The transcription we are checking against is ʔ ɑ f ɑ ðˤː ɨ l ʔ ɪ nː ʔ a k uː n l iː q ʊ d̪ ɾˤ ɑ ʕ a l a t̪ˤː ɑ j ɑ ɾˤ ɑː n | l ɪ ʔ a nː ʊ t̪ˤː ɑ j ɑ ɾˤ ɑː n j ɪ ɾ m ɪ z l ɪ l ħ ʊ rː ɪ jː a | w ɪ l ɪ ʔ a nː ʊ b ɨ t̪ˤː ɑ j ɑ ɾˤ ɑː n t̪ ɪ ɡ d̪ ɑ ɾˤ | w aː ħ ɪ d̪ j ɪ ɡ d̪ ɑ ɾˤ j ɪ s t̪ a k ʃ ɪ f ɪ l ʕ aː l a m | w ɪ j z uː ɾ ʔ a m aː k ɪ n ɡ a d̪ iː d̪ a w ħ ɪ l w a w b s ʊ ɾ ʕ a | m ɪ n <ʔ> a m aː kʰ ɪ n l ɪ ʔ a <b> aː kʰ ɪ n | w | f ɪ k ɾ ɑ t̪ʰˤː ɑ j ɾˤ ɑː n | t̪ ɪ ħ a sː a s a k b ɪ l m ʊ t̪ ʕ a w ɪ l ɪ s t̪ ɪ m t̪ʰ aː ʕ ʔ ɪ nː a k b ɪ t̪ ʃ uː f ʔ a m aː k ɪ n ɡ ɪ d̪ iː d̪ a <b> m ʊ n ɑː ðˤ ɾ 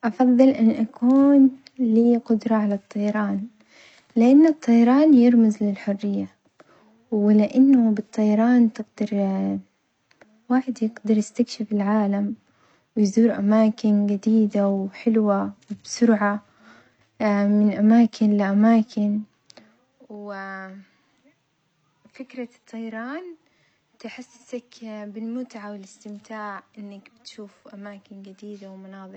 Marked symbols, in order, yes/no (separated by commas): yes, no, no